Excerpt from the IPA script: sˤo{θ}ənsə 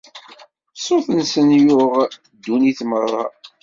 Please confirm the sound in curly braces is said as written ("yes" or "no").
yes